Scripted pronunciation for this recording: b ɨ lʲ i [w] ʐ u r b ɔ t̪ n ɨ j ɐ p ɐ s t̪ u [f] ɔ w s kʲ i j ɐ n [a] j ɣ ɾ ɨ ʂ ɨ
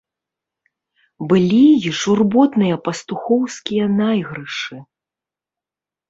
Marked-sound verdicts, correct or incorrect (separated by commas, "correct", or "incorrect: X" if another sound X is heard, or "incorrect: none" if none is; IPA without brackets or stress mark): incorrect: none, incorrect: x, correct